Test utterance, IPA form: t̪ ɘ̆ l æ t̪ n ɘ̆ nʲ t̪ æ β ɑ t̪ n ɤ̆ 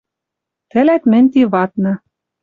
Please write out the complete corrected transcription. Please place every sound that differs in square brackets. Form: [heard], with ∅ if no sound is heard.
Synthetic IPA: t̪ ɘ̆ l æ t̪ [m] ɘ̆ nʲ t̪ [i] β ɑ t̪ n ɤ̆